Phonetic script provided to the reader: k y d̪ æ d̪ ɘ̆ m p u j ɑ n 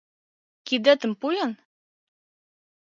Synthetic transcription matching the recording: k i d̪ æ t̪ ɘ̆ m p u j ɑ n